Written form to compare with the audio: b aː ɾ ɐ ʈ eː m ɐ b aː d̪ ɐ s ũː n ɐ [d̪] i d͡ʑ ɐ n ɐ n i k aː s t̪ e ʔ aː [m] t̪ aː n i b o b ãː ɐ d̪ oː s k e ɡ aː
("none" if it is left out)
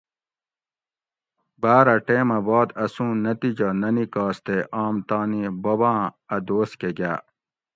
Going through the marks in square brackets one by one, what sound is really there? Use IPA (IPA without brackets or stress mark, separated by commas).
t̪, m